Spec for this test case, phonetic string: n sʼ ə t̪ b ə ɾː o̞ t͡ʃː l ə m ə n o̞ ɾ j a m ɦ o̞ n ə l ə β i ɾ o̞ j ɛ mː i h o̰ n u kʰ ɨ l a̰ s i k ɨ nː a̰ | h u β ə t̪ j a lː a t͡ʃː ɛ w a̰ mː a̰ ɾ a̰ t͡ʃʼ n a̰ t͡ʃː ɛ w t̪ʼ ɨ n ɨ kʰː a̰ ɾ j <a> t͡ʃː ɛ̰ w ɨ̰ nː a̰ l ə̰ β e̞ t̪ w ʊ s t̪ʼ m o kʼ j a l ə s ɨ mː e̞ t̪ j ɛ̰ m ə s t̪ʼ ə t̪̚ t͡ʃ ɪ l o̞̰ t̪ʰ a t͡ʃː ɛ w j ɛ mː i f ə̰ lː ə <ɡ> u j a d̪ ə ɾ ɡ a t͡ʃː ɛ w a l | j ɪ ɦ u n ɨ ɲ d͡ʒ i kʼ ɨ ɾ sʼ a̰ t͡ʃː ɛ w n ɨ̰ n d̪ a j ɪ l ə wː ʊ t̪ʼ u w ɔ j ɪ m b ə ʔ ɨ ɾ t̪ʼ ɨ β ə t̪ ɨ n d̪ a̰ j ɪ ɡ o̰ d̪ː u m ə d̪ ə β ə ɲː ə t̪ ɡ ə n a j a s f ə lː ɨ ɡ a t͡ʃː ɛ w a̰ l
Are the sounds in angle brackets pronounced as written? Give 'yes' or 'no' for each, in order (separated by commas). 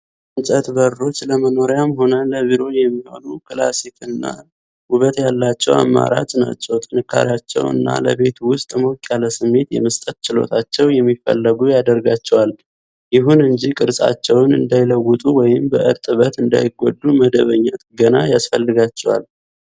yes, yes